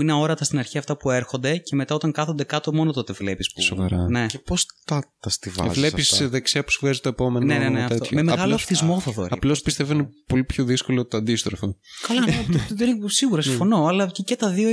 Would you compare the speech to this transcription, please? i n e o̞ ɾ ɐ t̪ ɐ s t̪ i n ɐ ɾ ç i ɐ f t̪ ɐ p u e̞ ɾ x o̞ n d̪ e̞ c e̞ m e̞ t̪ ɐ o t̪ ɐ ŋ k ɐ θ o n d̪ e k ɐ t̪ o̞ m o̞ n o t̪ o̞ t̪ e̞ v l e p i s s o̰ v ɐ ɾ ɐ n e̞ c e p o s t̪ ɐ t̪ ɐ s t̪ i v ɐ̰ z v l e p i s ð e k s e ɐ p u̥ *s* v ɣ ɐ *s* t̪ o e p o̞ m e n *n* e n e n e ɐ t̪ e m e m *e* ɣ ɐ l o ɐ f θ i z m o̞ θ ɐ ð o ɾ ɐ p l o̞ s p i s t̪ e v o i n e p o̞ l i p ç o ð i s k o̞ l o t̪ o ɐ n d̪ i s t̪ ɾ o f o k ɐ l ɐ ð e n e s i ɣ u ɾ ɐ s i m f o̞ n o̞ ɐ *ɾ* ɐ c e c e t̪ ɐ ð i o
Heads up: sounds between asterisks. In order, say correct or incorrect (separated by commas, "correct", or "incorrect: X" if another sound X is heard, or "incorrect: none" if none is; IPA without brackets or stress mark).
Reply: correct, incorrect: z, correct, correct, incorrect: l